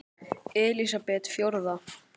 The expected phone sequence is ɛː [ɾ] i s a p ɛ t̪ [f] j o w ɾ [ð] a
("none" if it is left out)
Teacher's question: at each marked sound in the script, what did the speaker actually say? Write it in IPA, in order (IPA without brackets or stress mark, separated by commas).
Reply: l, f, ð